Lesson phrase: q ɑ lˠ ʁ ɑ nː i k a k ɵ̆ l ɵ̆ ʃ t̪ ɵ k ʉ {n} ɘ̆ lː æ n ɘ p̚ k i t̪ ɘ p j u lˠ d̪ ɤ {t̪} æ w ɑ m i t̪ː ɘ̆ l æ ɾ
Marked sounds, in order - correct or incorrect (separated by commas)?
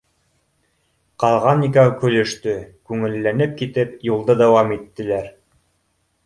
incorrect, incorrect